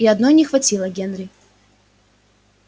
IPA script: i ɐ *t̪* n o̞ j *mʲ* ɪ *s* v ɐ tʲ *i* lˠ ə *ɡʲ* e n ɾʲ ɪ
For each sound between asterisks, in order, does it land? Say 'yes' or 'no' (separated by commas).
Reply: no, no, no, yes, yes